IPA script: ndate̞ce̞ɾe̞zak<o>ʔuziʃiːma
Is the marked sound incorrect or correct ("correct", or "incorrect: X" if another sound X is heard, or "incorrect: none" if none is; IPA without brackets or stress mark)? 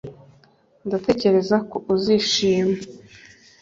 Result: correct